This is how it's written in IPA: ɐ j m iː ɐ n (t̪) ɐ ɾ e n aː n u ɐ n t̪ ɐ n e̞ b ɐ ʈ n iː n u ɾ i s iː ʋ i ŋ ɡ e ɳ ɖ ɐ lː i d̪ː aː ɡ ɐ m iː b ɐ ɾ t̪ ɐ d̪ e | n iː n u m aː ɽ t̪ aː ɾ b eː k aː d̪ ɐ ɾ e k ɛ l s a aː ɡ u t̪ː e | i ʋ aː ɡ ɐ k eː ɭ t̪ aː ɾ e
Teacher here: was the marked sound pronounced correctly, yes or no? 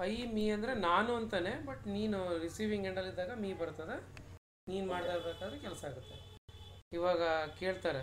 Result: no